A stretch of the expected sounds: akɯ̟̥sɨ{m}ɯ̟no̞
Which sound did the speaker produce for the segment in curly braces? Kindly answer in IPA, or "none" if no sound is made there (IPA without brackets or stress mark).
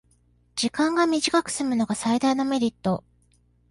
m